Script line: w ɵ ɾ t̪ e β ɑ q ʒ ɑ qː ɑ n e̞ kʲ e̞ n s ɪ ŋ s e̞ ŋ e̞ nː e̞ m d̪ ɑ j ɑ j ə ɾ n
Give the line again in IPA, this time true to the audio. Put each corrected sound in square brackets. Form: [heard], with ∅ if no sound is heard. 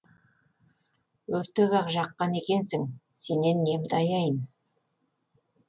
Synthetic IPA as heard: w ɵ ɾ t̪ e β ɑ q ʒ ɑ qː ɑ n e̞ kʲ e̞ n s ɪ ŋ s e̞ [n] e̞ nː e̞ m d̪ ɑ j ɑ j ə [∅] n